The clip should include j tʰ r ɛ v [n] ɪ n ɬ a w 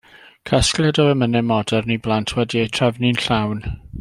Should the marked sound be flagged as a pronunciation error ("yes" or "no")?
no